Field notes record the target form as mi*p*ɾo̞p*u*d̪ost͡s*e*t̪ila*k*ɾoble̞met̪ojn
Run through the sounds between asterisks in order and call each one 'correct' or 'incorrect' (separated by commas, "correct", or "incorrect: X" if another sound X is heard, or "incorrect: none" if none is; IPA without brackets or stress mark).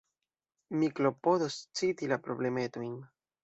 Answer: incorrect: k, incorrect: o, incorrect: i, incorrect: p